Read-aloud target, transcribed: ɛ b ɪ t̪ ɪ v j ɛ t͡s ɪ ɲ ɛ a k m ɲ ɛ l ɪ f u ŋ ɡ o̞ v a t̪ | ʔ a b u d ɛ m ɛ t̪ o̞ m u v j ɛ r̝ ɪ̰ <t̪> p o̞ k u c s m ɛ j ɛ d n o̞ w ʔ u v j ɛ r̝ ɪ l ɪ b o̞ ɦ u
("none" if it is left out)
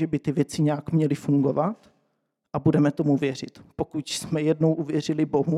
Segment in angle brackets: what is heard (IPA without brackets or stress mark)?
t̪